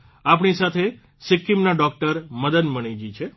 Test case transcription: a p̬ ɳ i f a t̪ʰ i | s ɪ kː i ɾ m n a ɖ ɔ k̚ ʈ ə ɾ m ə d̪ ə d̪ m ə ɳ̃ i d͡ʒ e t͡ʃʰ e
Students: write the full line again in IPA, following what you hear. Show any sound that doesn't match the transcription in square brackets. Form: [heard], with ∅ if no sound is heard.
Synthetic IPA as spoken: a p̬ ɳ i [s] a t̪ʰ [e] | s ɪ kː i [∅] m n a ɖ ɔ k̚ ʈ ə ɾ m ə d̪ ə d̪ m ə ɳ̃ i d͡ʒ [i] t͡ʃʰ e